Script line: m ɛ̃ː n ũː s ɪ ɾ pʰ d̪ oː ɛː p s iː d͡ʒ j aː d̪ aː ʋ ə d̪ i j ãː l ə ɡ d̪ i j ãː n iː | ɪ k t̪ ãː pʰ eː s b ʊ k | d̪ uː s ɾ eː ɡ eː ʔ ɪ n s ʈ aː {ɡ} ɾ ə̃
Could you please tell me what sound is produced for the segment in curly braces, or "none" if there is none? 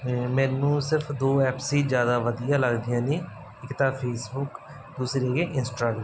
ɡ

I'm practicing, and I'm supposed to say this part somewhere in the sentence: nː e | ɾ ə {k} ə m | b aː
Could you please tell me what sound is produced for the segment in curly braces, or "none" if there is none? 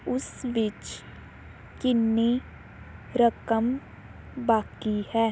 k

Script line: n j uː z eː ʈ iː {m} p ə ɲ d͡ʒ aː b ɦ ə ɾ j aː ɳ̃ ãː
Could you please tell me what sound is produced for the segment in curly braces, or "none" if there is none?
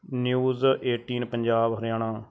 n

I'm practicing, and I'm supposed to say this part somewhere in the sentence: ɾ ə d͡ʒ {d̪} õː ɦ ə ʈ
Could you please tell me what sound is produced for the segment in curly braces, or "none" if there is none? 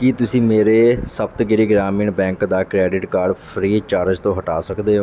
t̪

